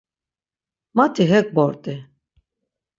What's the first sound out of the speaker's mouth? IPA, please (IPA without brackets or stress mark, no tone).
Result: m